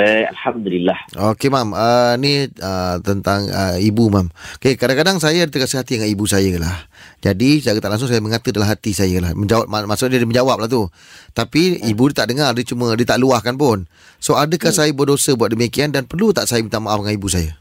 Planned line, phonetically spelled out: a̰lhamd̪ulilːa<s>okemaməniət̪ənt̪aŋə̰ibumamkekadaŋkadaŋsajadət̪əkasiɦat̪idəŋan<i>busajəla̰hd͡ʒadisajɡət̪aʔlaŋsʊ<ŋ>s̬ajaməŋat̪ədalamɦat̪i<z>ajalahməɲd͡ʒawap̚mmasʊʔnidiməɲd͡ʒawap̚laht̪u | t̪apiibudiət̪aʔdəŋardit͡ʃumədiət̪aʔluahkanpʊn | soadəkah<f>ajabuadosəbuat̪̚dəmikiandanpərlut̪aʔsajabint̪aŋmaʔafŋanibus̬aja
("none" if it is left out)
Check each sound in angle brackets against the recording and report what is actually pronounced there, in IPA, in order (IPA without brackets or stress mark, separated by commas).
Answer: h, i, ŋ, s, s